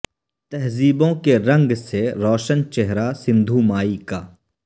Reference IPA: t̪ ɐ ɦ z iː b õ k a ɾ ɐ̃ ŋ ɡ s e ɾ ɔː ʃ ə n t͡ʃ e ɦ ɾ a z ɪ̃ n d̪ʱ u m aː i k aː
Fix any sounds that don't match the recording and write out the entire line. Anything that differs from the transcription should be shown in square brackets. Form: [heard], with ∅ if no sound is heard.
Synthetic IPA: t̪ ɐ ɦ z iː b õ k [e] ɾ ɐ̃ ŋ ɡ s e ɾ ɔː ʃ ə n t͡ʃ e ɦ ɾ a [s] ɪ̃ n d̪ʱ u m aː i k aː